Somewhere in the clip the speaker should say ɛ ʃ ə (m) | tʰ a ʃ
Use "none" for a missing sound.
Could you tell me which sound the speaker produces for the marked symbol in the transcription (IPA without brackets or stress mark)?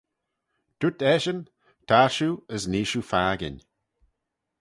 n